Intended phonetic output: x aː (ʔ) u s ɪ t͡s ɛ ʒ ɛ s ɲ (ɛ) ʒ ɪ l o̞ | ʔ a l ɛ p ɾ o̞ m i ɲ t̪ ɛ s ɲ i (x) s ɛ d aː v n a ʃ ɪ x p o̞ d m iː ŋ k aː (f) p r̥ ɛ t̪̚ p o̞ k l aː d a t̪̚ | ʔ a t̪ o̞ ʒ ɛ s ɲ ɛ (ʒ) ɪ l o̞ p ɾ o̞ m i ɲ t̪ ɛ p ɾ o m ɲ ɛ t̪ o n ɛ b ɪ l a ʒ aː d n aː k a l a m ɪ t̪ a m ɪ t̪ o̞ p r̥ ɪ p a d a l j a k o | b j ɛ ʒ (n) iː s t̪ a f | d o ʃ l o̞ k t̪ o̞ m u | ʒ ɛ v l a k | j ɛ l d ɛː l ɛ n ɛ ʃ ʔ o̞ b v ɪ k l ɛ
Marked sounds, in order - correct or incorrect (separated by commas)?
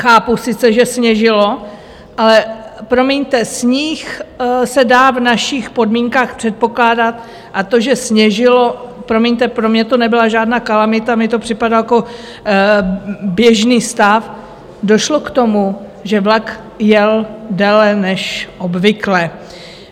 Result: incorrect, correct, correct, incorrect, correct, correct